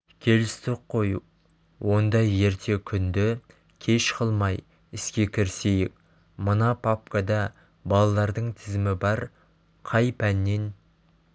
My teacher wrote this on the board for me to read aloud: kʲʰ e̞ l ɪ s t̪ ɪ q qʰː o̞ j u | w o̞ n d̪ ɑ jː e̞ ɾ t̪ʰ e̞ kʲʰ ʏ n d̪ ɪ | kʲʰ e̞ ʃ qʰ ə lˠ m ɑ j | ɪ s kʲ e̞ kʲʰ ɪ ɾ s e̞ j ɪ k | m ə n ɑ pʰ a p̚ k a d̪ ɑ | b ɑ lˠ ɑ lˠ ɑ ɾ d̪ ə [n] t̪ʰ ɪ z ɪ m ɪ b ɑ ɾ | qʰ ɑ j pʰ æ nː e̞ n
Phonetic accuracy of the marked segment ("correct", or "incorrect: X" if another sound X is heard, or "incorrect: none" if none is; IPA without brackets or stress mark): incorrect: ɴ